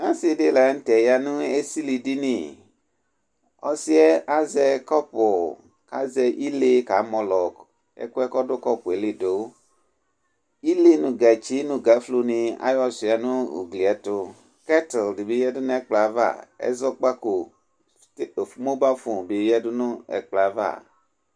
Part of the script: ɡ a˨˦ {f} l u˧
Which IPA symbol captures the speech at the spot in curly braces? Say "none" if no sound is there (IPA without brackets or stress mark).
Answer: f